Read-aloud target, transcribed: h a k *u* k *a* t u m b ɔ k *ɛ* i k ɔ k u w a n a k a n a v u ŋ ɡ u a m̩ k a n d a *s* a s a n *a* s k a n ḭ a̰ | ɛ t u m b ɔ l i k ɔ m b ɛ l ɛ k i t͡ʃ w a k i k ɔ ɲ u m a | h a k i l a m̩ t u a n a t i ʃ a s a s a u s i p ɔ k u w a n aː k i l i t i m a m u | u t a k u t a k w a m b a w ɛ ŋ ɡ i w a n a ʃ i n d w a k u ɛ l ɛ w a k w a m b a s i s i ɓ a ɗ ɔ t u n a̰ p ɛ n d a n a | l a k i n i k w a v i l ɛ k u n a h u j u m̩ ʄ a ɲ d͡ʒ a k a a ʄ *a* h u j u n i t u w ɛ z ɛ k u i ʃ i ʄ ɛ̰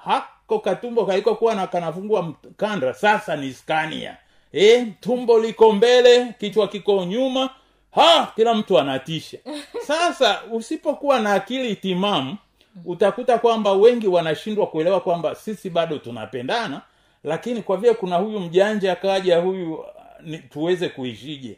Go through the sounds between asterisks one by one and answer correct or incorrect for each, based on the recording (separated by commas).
incorrect, correct, incorrect, correct, incorrect, correct